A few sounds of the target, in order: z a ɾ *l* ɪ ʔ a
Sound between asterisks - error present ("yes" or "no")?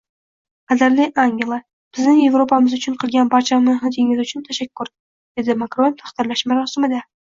no